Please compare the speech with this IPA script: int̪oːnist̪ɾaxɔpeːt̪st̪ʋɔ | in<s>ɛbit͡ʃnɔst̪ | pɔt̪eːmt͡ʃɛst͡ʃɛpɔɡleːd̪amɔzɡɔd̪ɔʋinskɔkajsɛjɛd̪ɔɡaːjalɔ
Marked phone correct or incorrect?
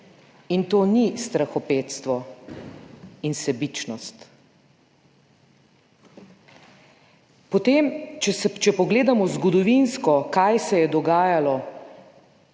correct